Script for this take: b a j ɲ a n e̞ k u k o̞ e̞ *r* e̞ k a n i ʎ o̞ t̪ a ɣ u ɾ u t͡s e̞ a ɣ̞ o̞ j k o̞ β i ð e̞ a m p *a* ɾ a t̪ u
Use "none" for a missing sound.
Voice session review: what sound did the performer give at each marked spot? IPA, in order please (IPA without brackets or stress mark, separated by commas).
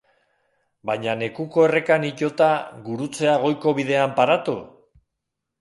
r, a